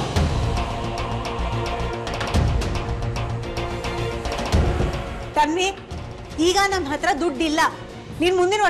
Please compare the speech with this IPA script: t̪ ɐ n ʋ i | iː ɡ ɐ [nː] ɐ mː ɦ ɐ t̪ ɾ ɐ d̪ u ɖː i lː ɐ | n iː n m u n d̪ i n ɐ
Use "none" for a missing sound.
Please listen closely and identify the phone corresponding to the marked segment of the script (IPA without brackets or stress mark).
n